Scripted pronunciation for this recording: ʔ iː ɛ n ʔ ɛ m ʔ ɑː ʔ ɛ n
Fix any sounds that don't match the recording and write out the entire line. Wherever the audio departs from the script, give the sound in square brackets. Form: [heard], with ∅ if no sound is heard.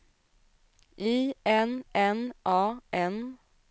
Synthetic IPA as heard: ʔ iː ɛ n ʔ ɛ [n] ʔ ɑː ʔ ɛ n